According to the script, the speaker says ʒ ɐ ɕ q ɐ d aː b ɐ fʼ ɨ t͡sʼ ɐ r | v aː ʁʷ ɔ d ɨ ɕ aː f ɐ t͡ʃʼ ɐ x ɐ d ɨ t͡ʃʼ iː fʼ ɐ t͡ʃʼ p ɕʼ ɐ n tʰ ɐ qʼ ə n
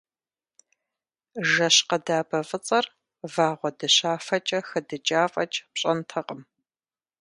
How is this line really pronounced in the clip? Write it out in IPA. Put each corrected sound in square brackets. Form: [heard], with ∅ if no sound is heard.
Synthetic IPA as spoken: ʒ ɐ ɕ q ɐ d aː b ɐ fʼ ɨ t͡sʼ ɐ r | v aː ʁʷ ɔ d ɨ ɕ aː f ɐ t͡ʃʼ ɐ x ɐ d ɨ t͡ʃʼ [aː] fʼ ɐ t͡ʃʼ p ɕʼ ɐ n tʰ ɐ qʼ ə [m]